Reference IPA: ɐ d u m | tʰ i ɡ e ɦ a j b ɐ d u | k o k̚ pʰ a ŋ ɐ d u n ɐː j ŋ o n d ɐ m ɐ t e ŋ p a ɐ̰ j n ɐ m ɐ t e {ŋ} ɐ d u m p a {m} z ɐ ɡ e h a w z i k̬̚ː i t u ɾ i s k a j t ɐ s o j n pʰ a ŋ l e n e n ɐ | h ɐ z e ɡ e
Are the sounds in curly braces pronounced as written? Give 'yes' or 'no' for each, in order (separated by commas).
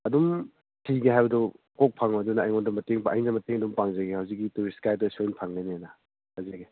yes, no